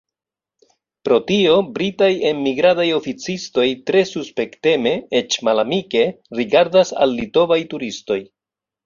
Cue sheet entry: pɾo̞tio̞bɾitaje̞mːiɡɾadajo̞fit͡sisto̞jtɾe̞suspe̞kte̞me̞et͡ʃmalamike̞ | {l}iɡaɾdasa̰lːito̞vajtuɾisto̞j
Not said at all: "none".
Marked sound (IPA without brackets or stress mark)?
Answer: ɾ